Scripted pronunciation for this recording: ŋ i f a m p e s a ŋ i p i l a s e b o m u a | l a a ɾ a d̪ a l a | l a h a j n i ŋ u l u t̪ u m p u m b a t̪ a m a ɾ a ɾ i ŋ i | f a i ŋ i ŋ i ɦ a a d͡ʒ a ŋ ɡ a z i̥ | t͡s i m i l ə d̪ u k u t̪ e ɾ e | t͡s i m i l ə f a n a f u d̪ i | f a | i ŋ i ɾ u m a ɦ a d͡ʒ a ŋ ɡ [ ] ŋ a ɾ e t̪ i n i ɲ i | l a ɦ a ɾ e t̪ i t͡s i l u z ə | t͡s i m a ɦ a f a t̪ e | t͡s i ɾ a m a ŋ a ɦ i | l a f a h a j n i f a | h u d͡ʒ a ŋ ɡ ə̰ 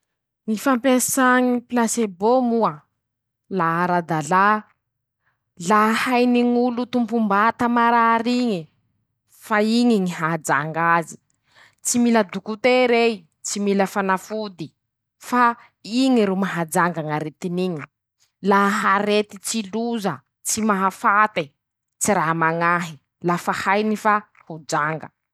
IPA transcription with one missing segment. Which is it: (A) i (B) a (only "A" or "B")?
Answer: B